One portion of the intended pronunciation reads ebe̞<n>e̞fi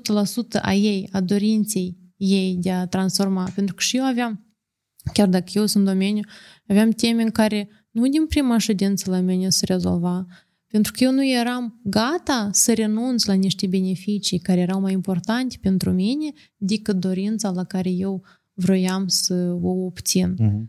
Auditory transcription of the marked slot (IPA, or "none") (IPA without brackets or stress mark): n